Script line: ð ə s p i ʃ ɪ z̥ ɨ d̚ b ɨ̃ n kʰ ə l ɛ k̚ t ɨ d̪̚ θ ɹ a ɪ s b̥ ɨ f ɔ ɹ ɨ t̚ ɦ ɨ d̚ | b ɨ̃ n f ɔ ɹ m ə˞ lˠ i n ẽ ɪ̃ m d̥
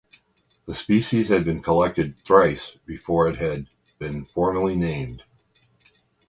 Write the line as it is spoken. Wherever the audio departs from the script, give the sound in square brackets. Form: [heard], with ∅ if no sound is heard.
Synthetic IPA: ð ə s p i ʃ [i] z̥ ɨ d̚ b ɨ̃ n kʰ ə l ɛ k̚ t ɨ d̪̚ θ ɹ a ɪ s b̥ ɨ f ɔ ɹ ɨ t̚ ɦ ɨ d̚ | b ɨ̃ n f ɔ ɹ m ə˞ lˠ i n ẽ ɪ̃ m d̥